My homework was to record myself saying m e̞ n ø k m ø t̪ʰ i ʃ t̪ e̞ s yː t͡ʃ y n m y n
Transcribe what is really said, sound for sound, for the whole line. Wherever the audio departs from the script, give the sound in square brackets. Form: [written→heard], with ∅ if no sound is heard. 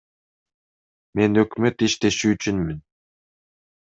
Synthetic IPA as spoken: m e̞ n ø k m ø [t̪ʰ→t̪] i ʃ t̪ e̞ [s→ʃ] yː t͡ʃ y n m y n